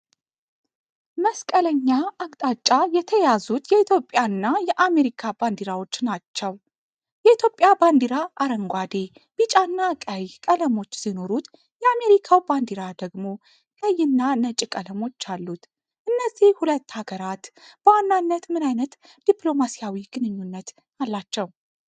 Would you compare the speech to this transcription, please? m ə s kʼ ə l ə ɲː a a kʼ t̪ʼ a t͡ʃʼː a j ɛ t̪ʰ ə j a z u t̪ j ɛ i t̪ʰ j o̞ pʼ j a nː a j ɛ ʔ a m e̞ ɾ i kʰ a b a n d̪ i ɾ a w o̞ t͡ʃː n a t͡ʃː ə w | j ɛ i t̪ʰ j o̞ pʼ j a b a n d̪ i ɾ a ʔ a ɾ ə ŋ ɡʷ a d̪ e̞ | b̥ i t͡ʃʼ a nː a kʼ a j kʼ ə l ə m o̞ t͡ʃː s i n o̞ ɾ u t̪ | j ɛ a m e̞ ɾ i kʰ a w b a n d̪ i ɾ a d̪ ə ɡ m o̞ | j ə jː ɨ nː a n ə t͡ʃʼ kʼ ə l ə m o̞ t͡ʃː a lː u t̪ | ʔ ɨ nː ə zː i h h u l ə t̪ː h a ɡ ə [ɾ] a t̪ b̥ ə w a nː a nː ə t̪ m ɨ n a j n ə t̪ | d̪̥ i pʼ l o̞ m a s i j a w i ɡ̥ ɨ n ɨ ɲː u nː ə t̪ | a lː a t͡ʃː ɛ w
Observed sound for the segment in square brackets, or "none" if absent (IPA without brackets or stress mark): ɾ